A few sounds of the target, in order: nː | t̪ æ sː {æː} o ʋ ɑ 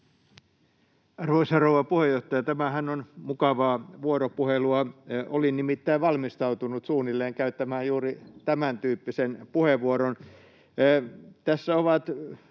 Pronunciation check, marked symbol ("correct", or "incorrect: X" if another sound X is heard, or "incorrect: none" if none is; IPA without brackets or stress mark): incorrect: æ